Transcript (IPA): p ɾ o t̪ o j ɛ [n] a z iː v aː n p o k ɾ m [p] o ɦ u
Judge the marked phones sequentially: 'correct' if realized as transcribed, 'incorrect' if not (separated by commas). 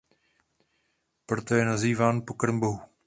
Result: correct, incorrect